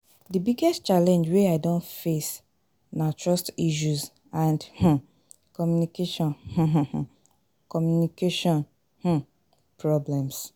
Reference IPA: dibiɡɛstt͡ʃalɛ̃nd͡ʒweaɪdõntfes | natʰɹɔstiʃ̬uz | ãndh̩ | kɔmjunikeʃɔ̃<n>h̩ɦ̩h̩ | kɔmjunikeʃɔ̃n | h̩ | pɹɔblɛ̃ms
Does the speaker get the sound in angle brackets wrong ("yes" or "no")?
no